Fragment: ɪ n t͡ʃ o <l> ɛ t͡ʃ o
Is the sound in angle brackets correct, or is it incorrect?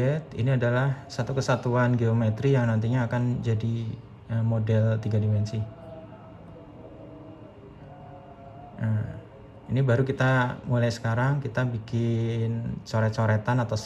incorrect: ɾ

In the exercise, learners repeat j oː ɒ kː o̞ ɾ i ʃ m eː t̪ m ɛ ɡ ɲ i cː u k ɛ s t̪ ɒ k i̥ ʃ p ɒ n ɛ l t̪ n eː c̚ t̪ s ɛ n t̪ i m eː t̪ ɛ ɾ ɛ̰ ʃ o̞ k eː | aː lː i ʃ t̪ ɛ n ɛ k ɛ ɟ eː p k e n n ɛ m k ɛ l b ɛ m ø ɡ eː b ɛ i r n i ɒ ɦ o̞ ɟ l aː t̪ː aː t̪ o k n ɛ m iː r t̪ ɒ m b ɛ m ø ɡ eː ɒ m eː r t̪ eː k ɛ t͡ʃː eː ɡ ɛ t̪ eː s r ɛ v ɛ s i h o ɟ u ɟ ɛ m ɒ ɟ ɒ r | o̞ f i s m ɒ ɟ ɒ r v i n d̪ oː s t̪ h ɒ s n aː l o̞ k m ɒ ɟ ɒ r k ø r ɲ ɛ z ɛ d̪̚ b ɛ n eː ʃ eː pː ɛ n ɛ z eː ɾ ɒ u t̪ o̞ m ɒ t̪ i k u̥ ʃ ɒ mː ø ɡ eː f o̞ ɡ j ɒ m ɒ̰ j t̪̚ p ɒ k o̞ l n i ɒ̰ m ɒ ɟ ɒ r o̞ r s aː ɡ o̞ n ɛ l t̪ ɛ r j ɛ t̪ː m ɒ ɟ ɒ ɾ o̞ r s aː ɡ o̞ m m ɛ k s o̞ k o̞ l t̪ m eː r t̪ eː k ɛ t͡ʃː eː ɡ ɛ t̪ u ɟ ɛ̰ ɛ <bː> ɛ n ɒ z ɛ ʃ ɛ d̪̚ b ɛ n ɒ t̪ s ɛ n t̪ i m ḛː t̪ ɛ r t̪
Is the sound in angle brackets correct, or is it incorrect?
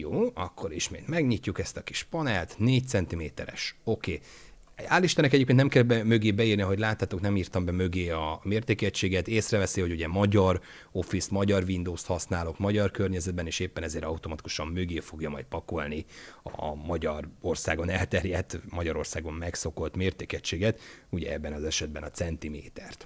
correct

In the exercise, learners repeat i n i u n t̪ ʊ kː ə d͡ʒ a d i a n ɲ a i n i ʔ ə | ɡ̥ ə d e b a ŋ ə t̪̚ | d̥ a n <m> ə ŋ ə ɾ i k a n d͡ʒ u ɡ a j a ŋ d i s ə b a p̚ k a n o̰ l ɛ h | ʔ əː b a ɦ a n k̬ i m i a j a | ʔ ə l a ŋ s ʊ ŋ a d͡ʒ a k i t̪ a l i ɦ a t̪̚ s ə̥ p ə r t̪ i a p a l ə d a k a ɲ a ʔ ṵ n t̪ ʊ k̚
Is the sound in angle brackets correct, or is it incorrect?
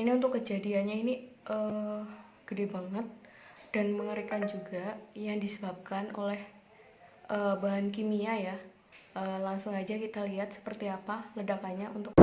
correct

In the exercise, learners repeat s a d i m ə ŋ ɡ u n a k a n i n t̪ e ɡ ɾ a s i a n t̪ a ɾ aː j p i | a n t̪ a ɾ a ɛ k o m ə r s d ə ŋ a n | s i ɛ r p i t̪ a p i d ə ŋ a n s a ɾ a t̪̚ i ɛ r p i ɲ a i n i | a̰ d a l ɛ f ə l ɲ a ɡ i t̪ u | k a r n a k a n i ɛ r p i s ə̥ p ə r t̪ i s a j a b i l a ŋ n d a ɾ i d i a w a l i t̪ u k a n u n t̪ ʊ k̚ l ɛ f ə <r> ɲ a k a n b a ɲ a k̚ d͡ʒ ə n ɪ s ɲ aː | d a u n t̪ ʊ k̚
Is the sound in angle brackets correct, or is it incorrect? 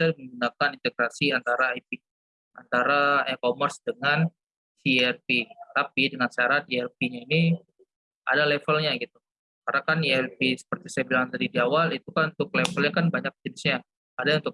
incorrect: l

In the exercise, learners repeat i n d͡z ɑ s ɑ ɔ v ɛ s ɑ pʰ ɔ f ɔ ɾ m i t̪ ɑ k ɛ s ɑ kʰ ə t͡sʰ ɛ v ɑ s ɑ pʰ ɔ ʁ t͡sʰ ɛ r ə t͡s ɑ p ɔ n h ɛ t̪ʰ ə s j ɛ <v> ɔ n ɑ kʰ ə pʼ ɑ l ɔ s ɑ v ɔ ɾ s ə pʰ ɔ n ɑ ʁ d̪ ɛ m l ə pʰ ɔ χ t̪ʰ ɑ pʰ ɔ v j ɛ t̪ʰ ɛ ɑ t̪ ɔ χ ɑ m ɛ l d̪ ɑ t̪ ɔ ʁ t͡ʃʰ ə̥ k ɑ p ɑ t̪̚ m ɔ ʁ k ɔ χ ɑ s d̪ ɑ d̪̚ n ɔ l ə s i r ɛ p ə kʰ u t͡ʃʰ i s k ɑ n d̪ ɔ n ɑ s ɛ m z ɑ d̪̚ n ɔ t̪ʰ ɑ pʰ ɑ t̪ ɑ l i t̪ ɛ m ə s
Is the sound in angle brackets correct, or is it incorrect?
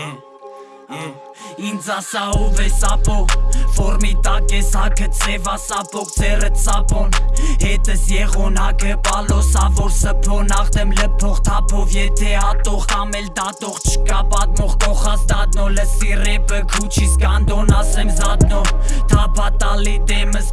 incorrect: ʁ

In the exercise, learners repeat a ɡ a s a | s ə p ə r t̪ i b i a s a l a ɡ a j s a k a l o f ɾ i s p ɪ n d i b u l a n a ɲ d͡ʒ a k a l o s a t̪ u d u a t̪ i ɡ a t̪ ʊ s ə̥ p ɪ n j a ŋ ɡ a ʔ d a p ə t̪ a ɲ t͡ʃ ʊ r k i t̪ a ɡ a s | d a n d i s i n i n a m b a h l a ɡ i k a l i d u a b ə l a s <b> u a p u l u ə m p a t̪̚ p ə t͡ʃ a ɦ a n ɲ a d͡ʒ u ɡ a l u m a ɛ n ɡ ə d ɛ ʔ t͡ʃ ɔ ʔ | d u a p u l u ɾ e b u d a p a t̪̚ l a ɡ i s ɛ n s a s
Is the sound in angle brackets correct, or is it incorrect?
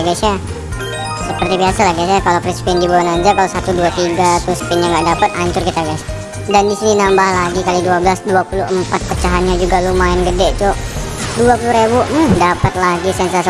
incorrect: d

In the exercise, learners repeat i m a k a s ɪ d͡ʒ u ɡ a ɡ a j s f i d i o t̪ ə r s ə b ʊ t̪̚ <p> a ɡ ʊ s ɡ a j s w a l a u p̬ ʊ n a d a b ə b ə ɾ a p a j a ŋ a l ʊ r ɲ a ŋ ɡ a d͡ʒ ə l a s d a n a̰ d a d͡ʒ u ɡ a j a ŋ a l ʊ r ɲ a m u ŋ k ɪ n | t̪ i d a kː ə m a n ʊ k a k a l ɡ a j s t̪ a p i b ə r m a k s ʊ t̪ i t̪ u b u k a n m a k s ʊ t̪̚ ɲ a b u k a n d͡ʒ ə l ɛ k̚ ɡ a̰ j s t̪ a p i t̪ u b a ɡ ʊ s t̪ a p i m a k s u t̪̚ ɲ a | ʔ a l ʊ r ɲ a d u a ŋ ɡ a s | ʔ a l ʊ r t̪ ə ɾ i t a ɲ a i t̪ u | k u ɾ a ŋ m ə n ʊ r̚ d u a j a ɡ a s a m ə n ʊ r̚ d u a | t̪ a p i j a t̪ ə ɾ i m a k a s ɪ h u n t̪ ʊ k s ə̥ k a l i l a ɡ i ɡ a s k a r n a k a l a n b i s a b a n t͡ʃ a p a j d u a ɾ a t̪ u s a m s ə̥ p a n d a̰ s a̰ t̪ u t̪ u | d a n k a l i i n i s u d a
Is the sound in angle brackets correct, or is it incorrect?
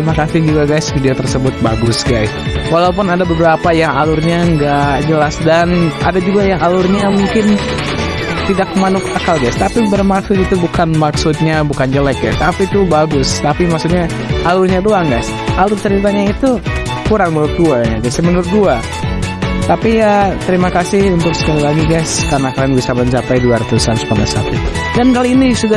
incorrect: b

